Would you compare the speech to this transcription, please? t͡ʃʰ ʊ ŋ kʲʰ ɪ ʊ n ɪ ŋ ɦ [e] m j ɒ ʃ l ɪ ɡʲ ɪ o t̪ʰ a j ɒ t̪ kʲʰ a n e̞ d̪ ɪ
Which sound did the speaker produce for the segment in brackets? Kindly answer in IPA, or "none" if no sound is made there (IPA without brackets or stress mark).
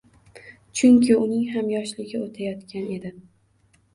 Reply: a